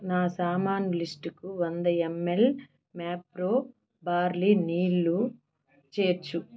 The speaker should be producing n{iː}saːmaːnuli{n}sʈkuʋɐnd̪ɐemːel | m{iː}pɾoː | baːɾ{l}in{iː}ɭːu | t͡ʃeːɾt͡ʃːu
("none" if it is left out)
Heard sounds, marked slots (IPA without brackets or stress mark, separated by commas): aː, none, aː, l, iː